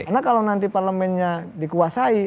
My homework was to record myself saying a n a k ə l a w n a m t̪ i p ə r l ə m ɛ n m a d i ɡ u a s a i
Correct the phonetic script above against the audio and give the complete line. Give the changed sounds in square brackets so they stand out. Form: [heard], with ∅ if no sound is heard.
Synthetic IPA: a n a k [a] l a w n a [n] t̪ i p [a] r l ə m ɛ n [ɲ] a d i [k] u a s a i

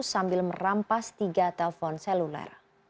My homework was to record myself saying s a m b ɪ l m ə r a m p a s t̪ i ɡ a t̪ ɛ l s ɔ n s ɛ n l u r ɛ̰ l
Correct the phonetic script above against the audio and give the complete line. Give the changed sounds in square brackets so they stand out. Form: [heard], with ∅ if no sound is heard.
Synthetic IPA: s a m b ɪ l m ə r a m p a s t̪ i ɡ a t̪ ɛ l [f] ɔ n s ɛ [∅] l u [l] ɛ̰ [r]

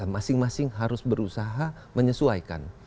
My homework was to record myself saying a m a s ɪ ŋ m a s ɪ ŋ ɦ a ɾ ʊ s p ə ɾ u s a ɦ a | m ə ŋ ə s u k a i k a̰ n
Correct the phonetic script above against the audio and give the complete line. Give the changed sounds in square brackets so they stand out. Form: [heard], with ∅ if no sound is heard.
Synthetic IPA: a m a s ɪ ŋ m a s ɪ ŋ ɦ a ɾ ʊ s [b] ə ɾ u s a ɦ a | m ə [ɲ] ə s u [∅] a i k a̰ n

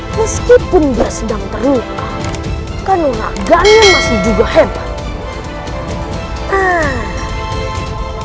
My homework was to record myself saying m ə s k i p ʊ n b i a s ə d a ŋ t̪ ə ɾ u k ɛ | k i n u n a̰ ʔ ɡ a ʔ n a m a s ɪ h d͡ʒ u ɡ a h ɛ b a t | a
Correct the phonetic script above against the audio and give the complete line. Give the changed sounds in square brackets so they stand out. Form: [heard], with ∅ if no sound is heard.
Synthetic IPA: m ə s k i p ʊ n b i a s ə d a ŋ t̪ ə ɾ u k [a] | k [a] n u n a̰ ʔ ɡ a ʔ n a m a s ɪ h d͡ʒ u ɡ a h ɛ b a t | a

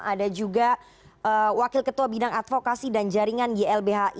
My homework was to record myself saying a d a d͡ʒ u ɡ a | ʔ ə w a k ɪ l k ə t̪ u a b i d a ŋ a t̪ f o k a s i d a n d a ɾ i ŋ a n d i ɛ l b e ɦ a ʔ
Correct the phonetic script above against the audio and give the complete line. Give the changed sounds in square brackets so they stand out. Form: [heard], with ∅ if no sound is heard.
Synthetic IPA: a d a d͡ʒ u ɡ a | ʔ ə w a k ɪ l k ə t̪ u a b i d a ŋ a t̪ f o k a s i d a n [d͡ʒ] a ɾ i ŋ a n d i ɛ l b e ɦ a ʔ

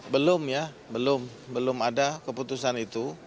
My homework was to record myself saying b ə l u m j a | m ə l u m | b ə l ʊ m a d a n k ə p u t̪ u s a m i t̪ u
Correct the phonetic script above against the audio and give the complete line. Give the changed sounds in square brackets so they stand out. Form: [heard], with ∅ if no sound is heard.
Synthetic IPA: b ə l [ʊ] m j a | [b] ə l [ʊ] m | b ə l ʊ m a d a [∅] k ə p u t̪ u s a [n] i t̪ u

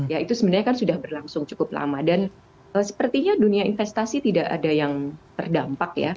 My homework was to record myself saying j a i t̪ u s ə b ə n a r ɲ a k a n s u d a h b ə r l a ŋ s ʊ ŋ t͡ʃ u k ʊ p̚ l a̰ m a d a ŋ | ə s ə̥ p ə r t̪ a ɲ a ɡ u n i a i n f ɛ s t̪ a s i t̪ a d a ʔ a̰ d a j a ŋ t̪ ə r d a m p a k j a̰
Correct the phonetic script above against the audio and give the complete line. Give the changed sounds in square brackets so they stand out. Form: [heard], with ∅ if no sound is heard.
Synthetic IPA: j a i t̪ u s ə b ə n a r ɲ a k a n s u d a h b ə r l a ŋ s ʊ ŋ t͡ʃ u k ʊ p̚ l a̰ m a d a [n] | ə s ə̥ p ə r t̪ [i] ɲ a [d] u n i a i n f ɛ s t̪ a s i t̪ [i] d a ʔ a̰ d a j a ŋ t̪ ə r d a m p a k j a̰

